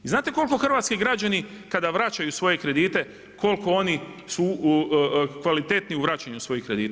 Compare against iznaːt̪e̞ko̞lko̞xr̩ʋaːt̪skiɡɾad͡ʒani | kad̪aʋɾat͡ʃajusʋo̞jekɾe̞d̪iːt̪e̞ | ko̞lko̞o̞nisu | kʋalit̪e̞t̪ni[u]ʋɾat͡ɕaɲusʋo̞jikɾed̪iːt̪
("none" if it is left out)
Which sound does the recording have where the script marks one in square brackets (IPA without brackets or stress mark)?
u